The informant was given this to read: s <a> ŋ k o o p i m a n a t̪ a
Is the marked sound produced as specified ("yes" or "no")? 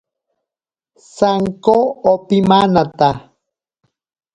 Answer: yes